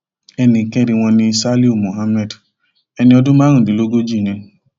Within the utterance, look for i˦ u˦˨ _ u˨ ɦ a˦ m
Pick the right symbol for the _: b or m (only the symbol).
m